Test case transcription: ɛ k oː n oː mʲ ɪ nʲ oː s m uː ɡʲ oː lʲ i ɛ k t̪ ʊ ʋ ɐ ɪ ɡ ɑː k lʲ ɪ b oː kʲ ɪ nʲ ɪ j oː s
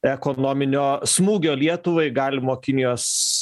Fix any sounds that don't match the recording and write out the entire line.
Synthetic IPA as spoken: ɛ k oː n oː mʲ ɪ nʲ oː s m uː ɡʲ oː lʲ i ɛ t̪ ʊ ʋ ɐ ɪ ɡ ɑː lʲ ɪ m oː kʲ ɪ nʲ ɪ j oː s